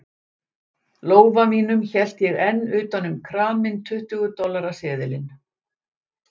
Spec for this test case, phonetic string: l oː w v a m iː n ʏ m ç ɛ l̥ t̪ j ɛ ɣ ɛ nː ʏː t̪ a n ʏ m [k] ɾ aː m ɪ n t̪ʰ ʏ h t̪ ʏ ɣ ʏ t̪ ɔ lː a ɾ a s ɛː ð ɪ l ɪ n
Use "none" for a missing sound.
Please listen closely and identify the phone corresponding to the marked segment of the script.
kʰ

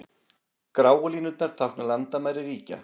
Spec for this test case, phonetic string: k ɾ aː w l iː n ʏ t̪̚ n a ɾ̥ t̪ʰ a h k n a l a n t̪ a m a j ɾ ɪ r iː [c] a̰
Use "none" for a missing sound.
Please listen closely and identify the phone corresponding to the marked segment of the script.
c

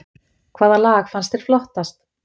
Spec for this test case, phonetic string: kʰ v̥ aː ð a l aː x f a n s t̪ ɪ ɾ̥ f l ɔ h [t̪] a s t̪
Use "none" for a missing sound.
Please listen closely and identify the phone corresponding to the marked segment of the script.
t̪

